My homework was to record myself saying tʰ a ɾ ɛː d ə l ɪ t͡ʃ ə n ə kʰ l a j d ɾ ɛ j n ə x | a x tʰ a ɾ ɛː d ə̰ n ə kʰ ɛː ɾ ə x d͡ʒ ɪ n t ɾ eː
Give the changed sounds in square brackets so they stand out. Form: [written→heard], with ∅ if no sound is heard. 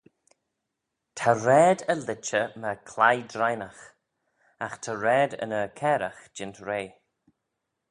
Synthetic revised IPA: tʰ a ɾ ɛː d ə l ɪ t͡ʃ ə [n→m] ə kʰ l a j d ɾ [ɛ→a] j n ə x | a x tʰ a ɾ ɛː d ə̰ n ə kʰ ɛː ɾ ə x d͡ʒ ɪ n t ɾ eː